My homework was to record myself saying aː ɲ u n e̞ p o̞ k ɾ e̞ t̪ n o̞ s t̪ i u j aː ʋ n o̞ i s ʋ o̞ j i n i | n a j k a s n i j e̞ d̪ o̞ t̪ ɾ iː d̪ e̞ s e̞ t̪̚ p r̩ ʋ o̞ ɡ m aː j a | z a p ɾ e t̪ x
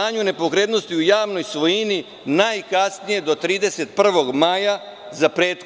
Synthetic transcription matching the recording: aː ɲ u n e̞ p o̞ k ɾ e̞ d̪ n o̞ s t̪ i u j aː ʋ n o̞ j s ʋ o̞ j i n i | n a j k a s n i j e̞ d̪ o̞ t̪ ɾ iː d̪ e̞ s e̞ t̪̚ p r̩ ʋ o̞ ɡ m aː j a | z a p ɾ e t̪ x